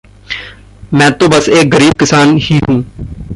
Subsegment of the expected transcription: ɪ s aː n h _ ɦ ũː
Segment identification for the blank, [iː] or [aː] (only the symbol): iː